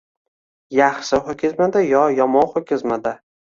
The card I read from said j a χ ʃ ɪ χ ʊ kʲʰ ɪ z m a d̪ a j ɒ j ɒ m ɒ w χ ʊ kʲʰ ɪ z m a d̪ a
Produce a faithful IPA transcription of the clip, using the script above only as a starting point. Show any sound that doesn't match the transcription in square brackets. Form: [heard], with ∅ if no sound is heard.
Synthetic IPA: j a χ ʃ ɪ χ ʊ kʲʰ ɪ z m a d̪ a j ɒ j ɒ m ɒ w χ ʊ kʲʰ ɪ z m a d̪ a